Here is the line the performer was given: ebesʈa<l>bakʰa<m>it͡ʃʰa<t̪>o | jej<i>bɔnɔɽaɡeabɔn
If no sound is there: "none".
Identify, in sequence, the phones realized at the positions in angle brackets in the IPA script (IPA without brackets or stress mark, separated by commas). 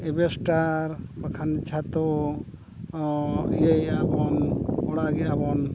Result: ɾ, n, t̪, a